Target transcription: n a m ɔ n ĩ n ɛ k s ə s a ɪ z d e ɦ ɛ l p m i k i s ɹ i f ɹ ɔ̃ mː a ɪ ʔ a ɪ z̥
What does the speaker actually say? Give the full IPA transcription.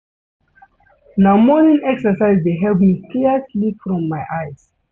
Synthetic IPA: n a m ɔ n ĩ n ɛ k s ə s a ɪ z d e ɦ ɛ l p m i k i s l i f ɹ ɔ̃ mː a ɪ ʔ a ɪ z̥